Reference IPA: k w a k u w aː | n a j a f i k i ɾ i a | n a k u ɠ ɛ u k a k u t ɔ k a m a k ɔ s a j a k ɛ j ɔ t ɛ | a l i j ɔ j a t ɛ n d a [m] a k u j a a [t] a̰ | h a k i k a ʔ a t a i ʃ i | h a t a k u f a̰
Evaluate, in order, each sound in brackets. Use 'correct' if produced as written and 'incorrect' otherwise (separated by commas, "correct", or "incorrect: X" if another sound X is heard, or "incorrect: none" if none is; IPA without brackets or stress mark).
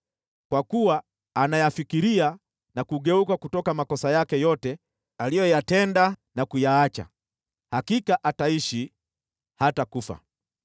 incorrect: n, incorrect: t͡ʃ